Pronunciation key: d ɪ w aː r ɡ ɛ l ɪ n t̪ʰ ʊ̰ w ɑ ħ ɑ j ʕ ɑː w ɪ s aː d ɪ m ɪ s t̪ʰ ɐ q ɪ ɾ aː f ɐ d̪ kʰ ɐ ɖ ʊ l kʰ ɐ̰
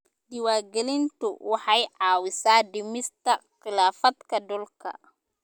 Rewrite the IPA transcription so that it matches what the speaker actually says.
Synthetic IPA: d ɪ w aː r ɡ ɛ l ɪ n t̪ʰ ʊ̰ w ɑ ħ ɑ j ʕ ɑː w ɪ s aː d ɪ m ɪ s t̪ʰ ɐ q ɪ l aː f ɐ d̪ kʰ ɐ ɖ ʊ l kʰ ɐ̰